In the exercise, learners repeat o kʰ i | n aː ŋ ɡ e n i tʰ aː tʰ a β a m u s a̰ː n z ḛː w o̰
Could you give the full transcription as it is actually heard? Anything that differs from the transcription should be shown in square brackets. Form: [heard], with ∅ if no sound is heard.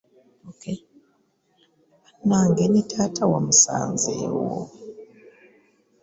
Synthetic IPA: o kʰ [e] | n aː ŋ ɡ e n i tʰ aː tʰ a [w] a m u s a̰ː n z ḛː w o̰